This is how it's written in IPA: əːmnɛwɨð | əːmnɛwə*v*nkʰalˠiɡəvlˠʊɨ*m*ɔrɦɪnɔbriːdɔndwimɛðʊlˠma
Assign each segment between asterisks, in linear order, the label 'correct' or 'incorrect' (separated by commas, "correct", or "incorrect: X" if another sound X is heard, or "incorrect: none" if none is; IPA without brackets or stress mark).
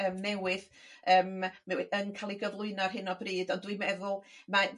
incorrect: none, incorrect: n